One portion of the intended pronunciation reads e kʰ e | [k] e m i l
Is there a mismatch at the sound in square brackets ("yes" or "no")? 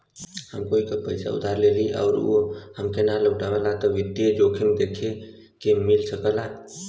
no